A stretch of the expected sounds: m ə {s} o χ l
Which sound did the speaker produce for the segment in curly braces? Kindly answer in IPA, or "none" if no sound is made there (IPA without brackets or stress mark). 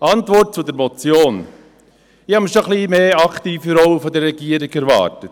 ʃ